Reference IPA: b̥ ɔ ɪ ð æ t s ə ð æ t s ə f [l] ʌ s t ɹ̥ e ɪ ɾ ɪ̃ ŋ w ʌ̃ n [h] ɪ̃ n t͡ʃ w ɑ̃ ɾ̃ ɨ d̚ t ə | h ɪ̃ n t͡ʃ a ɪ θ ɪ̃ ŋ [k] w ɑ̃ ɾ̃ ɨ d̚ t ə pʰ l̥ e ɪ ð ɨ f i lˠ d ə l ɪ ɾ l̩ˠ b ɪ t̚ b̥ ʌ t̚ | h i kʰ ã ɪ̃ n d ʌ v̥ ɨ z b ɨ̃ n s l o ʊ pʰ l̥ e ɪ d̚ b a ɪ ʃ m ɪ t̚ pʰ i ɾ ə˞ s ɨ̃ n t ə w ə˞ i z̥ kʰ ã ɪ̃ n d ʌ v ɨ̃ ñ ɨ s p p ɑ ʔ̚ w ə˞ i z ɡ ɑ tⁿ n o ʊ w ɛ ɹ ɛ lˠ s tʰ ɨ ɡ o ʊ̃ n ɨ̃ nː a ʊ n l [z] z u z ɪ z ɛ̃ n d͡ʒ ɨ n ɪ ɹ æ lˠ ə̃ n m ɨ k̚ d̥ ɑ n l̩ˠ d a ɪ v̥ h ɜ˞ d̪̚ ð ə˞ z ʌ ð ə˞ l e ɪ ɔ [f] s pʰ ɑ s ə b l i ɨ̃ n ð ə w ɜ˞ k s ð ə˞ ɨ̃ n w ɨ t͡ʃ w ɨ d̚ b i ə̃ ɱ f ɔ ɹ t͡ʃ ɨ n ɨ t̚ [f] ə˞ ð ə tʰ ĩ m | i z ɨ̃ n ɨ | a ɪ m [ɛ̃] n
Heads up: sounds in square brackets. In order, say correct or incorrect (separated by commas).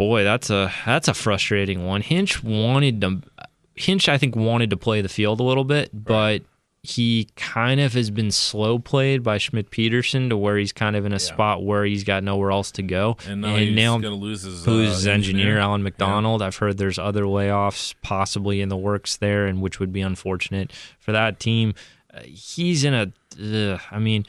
incorrect, correct, correct, correct, correct, correct, incorrect